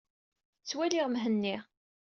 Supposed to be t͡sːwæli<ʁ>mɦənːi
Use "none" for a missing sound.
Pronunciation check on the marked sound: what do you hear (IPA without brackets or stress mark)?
ʁ